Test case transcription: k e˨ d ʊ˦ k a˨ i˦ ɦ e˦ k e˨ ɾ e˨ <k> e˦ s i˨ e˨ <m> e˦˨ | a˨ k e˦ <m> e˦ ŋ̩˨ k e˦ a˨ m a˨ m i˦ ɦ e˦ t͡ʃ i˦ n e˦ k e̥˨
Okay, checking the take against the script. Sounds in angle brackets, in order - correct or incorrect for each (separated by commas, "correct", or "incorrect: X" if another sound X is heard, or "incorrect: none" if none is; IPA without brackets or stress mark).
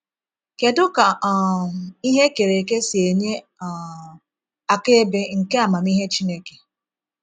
correct, incorrect: ɲ, incorrect: b